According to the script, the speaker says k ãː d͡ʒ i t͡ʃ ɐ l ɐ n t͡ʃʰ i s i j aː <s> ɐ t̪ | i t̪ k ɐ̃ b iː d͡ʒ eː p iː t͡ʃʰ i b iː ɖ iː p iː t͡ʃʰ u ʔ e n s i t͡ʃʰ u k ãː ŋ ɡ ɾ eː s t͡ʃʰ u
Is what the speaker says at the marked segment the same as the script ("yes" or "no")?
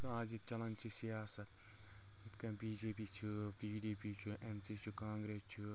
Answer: yes